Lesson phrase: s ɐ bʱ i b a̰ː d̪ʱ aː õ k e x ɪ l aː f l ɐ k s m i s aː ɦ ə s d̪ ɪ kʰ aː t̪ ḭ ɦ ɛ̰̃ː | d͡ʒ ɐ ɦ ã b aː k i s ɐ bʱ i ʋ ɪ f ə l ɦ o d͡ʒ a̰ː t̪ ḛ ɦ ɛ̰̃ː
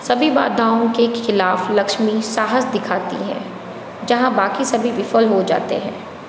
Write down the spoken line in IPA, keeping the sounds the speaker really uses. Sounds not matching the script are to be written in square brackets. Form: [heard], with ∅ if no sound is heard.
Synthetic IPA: s ɐ bʱ i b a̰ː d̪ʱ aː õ k e x ɪ l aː f l ɐ k [ʃ] m i s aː ɦ ə s d̪ ɪ kʰ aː t̪ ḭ ɦ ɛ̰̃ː | d͡ʒ ɐ ɦ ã b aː k i s ɐ bʱ i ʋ ɪ f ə l ɦ o d͡ʒ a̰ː t̪ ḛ ɦ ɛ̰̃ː